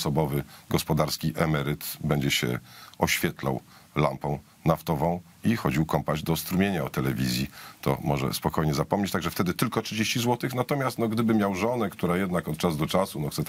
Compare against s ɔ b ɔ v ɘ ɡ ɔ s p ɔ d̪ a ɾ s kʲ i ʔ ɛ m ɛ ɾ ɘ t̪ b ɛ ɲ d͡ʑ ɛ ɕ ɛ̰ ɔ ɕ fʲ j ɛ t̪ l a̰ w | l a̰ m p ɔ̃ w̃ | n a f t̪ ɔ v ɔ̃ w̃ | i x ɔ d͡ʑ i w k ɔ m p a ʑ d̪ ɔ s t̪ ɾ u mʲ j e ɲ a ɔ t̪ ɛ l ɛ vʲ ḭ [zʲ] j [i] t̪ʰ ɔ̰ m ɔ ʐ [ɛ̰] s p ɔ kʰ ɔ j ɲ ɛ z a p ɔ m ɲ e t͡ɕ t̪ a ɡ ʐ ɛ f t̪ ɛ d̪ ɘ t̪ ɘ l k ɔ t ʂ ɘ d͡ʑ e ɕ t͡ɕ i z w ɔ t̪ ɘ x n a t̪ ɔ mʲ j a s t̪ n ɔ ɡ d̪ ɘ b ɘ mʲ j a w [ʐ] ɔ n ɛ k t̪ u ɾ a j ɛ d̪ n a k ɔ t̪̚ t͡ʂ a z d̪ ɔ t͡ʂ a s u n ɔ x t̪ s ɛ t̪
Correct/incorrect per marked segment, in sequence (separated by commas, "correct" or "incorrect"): correct, correct, correct, correct